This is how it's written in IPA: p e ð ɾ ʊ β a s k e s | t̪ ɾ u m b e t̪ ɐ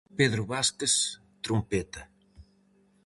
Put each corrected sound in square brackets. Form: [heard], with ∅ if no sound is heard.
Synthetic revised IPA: p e ð ɾ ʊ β a s k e s | t̪ ɾ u m [p] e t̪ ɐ